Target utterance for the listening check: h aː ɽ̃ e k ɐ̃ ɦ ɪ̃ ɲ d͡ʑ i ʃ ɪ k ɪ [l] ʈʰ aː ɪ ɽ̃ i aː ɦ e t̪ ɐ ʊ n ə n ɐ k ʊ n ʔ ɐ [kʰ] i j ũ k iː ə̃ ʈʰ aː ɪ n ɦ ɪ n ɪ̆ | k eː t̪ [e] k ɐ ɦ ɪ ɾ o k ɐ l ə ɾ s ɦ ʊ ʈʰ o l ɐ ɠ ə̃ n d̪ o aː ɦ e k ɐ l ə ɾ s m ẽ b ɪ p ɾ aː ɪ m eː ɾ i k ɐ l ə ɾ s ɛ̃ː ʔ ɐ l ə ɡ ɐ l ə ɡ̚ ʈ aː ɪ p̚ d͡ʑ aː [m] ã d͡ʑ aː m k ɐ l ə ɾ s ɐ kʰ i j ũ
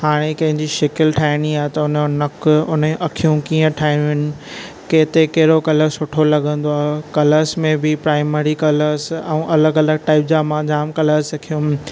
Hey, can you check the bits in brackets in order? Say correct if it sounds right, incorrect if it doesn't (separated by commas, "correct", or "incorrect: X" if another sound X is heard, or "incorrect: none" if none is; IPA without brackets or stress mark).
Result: correct, correct, correct, correct